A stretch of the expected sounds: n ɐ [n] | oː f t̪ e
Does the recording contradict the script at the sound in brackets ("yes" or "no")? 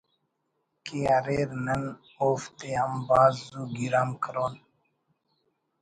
no